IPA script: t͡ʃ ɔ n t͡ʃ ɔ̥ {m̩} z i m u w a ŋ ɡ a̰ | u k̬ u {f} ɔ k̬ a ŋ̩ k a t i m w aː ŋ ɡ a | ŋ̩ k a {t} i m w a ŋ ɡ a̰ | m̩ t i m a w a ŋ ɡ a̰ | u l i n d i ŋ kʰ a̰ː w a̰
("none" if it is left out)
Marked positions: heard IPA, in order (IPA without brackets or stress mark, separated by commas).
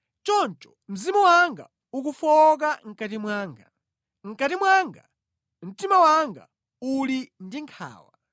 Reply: m̩, f, t